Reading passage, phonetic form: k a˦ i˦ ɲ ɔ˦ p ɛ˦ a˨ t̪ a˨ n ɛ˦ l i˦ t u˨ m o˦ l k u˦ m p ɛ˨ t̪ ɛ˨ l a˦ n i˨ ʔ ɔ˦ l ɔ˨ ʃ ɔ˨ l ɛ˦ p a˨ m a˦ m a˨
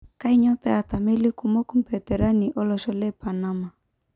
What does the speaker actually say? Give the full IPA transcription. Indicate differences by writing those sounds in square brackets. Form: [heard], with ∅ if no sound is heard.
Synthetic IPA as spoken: k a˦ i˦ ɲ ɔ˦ p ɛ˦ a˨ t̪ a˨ [m] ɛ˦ l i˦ [k] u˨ m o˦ [∅] k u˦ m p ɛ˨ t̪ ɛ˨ [ɾ] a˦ n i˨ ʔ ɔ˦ l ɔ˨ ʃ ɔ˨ l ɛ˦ p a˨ [n] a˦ m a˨